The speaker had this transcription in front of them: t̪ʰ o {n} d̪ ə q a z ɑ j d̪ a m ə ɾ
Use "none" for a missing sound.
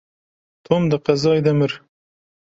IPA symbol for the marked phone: m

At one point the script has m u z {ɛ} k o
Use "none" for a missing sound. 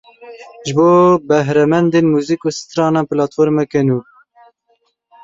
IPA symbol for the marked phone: i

